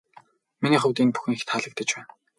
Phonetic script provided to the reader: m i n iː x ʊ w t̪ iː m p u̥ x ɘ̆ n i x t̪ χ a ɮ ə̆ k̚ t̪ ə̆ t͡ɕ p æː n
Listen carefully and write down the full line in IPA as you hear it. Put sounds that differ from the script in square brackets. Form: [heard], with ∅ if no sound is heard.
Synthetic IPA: m i n iː [χ] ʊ w t̪ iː [n] p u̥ x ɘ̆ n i x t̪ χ a ɮ ə̆ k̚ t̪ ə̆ t͡ɕ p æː n